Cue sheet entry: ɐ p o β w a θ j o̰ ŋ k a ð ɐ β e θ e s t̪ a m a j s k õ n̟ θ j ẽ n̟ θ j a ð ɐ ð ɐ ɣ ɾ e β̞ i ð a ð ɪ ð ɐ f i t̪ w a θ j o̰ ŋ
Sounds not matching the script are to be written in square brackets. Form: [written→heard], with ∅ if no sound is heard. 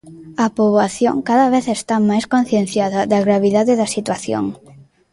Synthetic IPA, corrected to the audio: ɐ p o β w a θ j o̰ ŋ k a ð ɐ β e θ e s t̪ a m a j s k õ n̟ θ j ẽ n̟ θ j a ð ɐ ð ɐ ɣ ɾ [e→a] β̞ i ð a ð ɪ ð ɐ [f→s] i t̪ w a θ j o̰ ŋ